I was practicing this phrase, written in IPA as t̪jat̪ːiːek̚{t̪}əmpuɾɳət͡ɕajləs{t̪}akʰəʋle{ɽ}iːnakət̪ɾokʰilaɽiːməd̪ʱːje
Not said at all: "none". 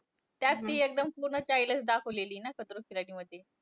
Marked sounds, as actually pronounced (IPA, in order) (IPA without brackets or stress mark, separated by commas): d̪, d̪, l